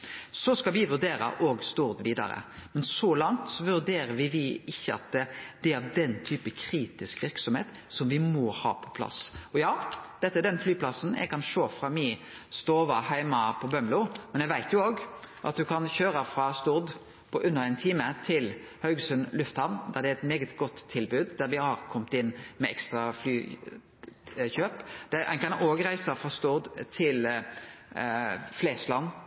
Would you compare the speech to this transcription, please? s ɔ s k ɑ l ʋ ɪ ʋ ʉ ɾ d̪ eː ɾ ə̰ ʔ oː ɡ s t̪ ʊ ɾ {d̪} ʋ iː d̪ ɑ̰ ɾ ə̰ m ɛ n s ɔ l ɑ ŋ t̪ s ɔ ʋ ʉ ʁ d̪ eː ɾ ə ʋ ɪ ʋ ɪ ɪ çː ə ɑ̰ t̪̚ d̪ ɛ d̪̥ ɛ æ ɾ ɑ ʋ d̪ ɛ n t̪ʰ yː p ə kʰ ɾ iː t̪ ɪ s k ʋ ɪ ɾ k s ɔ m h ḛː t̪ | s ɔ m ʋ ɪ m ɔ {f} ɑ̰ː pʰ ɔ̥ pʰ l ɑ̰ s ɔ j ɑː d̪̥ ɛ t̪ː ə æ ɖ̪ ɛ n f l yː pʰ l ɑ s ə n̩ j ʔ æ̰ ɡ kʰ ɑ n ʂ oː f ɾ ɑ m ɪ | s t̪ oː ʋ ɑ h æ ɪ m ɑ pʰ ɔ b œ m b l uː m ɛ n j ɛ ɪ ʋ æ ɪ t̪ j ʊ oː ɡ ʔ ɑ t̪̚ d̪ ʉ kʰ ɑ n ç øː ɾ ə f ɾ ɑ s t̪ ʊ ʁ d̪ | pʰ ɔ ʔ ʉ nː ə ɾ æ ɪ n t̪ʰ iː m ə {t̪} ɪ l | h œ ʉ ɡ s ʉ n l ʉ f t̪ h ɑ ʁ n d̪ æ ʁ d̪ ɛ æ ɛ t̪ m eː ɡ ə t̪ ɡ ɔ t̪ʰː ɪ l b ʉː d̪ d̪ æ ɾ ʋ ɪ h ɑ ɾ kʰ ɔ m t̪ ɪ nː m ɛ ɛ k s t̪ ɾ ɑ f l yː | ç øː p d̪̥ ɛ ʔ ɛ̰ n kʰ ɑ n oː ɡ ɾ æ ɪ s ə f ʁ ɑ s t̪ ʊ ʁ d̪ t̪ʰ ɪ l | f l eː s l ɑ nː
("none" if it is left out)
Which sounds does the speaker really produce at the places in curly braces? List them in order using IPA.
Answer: d̪, h, t̪ʰ

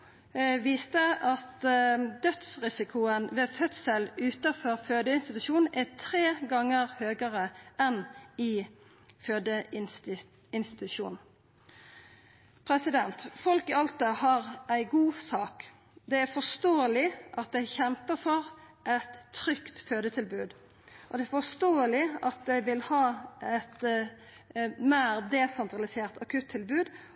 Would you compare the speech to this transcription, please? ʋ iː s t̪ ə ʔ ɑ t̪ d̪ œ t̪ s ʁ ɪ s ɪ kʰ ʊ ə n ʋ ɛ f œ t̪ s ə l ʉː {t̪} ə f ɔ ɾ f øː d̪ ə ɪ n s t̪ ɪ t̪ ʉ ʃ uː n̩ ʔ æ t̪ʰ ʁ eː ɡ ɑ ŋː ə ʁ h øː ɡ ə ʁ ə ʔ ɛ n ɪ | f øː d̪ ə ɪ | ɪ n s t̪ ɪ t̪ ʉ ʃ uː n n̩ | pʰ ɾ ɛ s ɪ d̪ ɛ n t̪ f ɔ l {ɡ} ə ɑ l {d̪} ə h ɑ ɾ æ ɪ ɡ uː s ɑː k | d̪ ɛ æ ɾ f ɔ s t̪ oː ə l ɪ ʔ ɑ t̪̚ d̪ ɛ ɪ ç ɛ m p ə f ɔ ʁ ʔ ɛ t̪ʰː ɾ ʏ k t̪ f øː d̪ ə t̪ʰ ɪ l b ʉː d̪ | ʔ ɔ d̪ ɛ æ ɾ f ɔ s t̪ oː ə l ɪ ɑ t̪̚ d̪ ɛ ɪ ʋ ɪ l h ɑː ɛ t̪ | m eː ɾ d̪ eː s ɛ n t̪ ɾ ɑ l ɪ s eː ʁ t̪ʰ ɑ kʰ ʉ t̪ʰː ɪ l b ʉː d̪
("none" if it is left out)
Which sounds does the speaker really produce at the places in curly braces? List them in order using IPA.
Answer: t̪, k, t̪

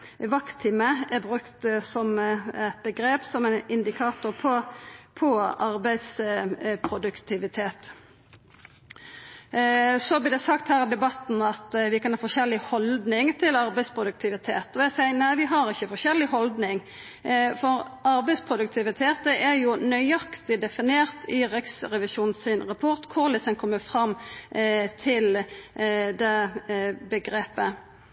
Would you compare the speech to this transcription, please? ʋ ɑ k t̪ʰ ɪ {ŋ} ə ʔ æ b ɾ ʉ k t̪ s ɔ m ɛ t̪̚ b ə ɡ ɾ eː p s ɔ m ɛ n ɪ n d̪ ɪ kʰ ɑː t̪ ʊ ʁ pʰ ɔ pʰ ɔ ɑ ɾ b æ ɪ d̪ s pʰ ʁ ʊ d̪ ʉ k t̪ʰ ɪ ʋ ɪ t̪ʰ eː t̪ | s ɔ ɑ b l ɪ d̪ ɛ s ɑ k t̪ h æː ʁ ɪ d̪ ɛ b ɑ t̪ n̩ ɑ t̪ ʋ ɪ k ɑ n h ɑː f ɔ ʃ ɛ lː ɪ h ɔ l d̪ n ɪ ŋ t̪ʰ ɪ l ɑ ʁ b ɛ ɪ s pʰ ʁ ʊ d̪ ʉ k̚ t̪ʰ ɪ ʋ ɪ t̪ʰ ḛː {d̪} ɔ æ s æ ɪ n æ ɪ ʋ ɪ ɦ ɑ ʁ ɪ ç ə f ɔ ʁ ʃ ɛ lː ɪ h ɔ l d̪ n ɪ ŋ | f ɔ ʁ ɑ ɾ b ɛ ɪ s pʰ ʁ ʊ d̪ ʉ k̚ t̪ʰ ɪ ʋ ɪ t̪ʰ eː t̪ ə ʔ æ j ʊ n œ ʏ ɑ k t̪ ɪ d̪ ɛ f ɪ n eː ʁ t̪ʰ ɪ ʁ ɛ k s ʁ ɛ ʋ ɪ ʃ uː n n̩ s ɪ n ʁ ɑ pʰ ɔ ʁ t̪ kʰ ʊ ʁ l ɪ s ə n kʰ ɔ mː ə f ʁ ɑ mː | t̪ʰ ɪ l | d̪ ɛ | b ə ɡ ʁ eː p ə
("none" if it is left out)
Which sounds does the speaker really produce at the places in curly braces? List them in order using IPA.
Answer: m, t̪

